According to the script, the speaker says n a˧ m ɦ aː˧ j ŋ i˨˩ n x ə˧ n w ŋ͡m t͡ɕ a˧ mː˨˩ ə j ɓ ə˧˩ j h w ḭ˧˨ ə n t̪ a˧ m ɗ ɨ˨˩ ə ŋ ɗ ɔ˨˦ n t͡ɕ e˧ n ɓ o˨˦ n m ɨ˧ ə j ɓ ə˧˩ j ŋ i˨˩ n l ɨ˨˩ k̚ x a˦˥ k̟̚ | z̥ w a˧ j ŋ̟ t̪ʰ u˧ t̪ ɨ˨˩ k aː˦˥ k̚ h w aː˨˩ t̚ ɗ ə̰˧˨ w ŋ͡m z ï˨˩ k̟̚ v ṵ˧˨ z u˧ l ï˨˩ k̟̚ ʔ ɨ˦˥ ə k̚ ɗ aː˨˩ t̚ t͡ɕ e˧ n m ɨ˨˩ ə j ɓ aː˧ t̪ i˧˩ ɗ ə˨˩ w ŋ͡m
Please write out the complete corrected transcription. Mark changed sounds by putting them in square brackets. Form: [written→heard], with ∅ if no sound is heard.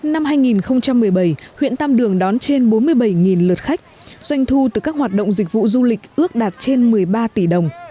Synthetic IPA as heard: n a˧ m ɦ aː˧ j ŋ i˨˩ n x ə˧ [n→∅] w ŋ͡m t͡ɕ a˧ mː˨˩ ə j ɓ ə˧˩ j h w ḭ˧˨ ə n t̪ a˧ m ɗ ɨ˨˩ ə ŋ ɗ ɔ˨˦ n t͡ɕ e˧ n ɓ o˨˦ n m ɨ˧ ə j ɓ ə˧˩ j ŋ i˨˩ n l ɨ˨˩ [k̚→t̚] x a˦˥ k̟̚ | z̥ w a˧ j ŋ̟ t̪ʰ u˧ t̪ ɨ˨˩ k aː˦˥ k̚ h w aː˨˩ t̚ ɗ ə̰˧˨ w ŋ͡m z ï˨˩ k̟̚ v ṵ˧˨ z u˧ l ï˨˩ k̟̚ ʔ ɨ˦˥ ə k̚ ɗ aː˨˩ t̚ t͡ɕ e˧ n m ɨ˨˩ ə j ɓ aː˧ t̪ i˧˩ ɗ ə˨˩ w ŋ͡m